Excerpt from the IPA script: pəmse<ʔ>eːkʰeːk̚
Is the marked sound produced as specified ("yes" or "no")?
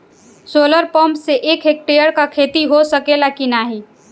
yes